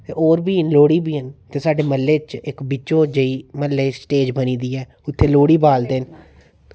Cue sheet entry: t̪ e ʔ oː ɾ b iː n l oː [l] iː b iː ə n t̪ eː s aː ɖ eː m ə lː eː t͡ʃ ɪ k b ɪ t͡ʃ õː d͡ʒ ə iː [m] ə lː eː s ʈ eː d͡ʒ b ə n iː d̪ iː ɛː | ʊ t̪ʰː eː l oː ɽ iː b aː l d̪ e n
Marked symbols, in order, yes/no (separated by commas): no, yes